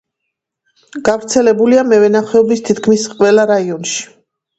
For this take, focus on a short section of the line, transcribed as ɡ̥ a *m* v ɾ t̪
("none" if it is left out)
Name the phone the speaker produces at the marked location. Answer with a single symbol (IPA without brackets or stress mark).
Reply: none